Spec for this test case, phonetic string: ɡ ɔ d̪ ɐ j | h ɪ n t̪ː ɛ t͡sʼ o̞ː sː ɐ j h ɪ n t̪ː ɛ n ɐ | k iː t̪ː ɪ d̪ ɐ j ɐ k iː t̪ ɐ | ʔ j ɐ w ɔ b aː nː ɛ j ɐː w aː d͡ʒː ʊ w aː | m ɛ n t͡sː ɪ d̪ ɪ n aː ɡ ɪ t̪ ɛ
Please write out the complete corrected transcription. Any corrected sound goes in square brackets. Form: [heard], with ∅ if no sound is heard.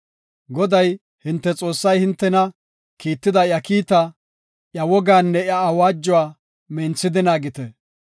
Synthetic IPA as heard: ɡ ɔ d̪ ɐ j | h ɪ n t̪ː ɛ t͡sʼ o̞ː sː ɐ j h ɪ n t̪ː ɛ n ɐ | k iː t̪ː ɪ d̪ ɐ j ɐ k iː t̪ ɐ | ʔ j ɐ w ɔ [ɡ] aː nː ɛ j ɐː w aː d͡ʒː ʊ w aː | m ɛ n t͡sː ɪ d̪ ɪ n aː ɡ ɪ t̪ ɛ